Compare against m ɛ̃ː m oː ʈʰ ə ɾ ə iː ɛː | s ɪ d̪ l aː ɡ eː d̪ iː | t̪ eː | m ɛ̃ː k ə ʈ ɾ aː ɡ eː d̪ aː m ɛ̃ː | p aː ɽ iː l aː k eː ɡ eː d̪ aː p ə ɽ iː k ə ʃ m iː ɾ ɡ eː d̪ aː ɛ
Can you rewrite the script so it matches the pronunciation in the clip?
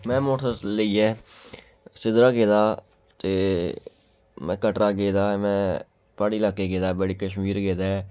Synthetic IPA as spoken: m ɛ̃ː m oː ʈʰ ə l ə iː ɛː | s ɪ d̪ ɾ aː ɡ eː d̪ aː | t̪ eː | m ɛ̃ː k ə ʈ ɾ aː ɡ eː d̪ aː m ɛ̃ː | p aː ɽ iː l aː k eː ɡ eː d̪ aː b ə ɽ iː k ə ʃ m iː ɾ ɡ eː d̪ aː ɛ